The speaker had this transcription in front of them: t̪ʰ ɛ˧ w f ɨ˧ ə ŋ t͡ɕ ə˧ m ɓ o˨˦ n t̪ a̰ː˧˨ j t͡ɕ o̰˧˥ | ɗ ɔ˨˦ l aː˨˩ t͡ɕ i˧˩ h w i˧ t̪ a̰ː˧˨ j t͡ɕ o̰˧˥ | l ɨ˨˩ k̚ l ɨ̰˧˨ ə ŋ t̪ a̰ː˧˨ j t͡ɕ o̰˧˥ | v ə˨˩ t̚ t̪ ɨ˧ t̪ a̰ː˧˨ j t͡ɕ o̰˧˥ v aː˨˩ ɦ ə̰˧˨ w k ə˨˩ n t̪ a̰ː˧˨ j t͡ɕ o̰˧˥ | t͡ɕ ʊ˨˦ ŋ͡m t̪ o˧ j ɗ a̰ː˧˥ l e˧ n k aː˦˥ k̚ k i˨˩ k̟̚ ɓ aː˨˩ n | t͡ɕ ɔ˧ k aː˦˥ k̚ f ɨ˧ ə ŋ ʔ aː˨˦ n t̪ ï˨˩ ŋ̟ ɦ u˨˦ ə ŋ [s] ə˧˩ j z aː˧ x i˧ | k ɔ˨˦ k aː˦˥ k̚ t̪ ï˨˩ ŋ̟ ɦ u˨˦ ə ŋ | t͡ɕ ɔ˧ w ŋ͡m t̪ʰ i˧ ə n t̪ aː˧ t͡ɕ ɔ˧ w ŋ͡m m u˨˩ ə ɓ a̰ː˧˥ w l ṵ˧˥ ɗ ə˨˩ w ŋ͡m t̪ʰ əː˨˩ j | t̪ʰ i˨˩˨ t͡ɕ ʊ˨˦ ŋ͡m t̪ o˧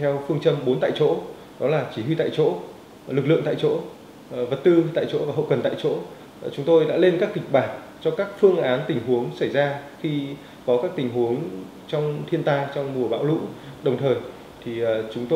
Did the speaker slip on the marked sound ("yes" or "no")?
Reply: no